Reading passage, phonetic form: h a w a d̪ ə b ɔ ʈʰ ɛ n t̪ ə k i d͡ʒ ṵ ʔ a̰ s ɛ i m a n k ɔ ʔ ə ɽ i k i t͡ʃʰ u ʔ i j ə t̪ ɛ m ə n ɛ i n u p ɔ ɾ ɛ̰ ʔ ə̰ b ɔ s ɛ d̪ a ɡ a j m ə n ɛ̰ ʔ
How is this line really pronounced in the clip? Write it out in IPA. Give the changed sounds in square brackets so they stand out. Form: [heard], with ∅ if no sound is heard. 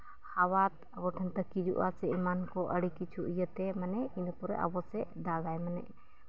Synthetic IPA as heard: h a w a [t̪] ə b ɔ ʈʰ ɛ n t̪ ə k i d͡ʒ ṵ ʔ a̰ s ɛ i m a n k ɔ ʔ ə ɽ i k i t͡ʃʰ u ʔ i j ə t̪ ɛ m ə n ɛ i n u p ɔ ɾ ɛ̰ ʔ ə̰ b ɔ s ɛ d̪ a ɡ a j m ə n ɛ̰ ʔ